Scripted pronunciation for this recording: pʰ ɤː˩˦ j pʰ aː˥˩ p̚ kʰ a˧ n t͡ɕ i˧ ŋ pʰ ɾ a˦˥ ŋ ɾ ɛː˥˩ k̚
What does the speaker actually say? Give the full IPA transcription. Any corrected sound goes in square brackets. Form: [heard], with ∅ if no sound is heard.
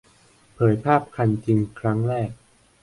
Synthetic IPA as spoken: pʰ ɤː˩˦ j pʰ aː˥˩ p̚ kʰ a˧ n t͡ɕ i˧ ŋ [kʰ] ɾ a˦˥ ŋ ɾ ɛː˥˩ k̚